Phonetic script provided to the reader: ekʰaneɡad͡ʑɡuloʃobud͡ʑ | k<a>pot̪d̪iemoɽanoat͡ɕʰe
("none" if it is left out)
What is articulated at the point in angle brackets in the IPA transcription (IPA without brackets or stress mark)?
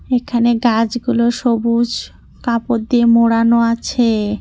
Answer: a